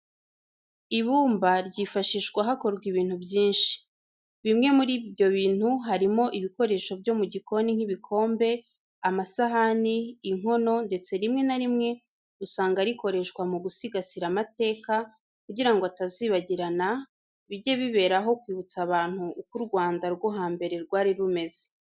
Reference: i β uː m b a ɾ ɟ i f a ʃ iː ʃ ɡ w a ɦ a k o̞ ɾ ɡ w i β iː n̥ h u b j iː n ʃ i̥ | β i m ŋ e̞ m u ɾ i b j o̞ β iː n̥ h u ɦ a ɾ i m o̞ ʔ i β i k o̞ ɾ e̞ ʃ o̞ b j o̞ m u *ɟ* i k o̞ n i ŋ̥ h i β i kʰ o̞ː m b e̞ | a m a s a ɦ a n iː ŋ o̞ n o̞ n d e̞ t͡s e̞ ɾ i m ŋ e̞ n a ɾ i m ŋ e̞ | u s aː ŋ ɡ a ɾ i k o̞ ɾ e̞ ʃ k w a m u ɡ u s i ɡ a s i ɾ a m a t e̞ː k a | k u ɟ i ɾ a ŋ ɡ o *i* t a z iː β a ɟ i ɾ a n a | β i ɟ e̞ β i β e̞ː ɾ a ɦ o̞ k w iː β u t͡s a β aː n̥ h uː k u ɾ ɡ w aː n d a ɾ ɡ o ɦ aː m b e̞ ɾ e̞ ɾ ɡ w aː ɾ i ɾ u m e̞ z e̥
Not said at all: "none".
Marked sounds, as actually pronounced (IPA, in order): ɟ, a

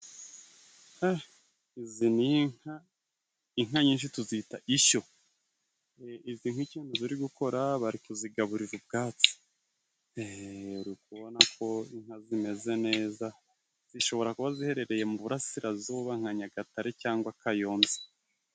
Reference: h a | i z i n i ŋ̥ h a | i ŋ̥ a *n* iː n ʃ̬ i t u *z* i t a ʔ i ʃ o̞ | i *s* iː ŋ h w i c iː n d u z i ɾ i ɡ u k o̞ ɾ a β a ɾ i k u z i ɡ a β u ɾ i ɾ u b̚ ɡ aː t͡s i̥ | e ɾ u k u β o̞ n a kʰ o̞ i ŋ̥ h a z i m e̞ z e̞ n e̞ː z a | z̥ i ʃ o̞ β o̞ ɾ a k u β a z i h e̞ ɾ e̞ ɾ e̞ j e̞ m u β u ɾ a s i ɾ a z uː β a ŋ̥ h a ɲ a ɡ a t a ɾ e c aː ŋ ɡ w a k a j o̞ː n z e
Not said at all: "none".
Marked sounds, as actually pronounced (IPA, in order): ɲ, z, z

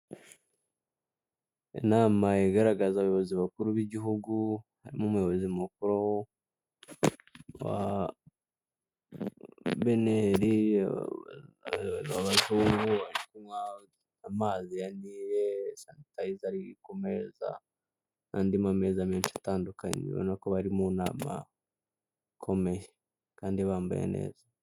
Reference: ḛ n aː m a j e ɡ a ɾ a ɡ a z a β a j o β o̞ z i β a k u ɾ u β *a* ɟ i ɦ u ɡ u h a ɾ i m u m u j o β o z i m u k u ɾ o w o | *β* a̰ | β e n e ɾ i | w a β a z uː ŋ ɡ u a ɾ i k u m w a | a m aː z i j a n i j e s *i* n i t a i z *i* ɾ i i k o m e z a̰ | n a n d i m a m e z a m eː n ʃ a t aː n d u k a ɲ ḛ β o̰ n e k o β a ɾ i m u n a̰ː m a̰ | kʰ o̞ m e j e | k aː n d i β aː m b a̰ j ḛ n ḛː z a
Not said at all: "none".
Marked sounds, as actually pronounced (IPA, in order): i, w, a, a

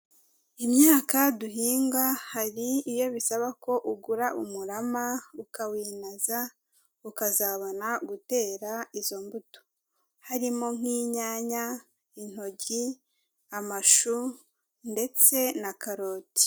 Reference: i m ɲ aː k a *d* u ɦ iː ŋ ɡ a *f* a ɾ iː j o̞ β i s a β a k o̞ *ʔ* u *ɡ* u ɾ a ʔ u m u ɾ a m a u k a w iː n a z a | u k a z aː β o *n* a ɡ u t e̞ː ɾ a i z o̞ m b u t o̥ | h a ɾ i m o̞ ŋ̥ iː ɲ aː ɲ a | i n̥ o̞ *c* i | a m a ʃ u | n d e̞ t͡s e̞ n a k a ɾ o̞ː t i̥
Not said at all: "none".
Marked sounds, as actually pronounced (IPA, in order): d, h, ʔ, ɡ, n, ɟ

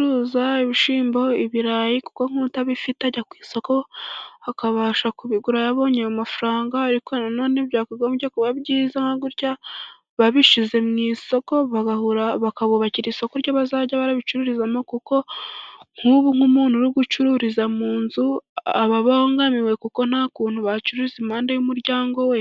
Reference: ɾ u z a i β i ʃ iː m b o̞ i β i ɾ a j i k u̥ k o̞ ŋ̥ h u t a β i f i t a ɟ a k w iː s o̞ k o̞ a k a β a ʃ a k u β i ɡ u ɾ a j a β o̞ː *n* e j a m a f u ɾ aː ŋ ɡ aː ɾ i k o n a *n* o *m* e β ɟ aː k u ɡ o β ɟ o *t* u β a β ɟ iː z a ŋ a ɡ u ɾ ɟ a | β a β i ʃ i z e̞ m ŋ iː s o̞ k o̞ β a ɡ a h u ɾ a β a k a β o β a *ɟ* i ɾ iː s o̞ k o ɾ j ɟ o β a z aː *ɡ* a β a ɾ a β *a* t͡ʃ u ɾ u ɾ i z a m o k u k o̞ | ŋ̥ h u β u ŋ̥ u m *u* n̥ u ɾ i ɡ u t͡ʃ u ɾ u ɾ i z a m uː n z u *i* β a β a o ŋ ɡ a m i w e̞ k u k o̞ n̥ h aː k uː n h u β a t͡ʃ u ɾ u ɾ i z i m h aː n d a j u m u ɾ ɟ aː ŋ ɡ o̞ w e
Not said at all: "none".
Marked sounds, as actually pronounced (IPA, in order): ɲ, n, n, k, c, ɟ, i, uː, a

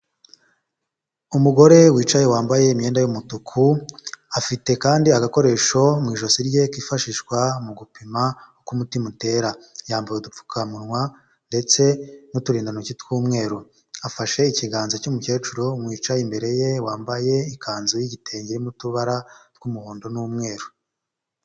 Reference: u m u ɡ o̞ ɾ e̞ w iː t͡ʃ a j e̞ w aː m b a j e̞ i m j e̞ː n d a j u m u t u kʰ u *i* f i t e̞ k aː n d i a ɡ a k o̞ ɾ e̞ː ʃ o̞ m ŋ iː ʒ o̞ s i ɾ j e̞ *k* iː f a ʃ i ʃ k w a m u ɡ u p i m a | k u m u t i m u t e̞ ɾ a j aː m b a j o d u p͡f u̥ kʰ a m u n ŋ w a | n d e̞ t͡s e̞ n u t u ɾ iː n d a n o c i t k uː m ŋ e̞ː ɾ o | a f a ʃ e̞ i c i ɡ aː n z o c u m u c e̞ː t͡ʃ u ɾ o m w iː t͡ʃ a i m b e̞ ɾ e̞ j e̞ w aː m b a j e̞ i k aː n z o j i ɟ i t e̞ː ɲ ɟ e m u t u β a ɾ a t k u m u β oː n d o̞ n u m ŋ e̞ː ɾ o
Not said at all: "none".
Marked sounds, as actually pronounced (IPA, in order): a, k

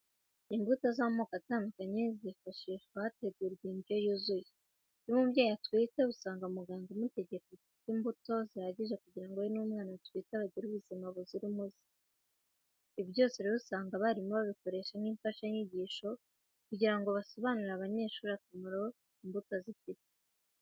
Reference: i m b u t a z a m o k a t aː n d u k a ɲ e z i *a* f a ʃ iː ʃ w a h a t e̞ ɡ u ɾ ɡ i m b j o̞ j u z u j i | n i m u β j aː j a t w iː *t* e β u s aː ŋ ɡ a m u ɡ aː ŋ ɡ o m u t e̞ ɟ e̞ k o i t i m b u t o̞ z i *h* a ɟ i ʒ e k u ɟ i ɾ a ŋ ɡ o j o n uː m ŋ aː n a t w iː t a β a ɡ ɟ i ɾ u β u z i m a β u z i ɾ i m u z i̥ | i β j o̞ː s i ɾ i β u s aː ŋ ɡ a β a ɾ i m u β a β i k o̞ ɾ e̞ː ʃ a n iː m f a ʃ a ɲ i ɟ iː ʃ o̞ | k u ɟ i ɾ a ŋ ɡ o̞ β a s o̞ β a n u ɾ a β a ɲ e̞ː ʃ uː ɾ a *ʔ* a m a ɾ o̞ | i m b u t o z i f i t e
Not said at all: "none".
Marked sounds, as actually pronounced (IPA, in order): i, t, h, k

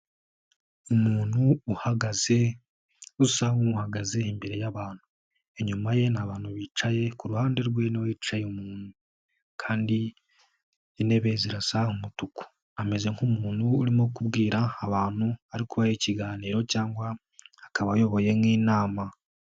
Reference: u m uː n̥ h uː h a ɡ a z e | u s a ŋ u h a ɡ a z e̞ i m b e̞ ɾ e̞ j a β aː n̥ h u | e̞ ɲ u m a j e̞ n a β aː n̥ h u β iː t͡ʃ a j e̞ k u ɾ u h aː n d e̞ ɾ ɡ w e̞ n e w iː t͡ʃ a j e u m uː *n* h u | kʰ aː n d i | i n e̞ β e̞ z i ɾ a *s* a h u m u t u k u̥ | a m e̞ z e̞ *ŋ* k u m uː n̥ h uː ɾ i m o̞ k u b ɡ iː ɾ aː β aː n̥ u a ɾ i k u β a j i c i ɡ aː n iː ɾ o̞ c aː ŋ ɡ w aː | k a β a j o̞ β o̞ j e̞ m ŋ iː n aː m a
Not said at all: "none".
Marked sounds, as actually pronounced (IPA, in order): n, s, ŋ

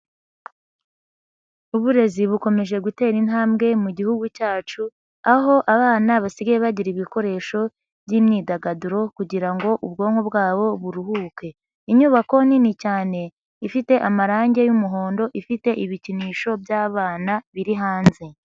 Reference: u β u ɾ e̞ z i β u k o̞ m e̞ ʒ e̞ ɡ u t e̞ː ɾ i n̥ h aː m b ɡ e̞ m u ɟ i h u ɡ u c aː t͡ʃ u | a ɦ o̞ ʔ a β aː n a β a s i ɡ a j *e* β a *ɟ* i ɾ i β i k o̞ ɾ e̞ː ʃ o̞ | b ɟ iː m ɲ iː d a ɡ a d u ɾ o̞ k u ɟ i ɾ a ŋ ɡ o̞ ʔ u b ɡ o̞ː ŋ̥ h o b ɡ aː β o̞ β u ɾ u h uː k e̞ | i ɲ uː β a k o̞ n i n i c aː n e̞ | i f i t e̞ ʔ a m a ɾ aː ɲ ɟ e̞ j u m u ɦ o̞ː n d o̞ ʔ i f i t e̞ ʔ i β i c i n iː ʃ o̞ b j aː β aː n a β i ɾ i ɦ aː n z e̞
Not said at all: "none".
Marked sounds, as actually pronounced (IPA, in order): e, ɟ

